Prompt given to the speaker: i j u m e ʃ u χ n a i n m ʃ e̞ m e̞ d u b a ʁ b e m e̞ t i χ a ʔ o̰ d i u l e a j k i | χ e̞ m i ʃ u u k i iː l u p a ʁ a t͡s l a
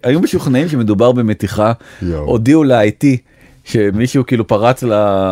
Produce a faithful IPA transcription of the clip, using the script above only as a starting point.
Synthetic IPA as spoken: a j u m e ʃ u χ n a i m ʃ e̞ m e̞ d u b a ʁ b e m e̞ t i χ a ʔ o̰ d i u l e a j t i | ʃ e̞ m i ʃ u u k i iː l u p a ʁ a t͡s l a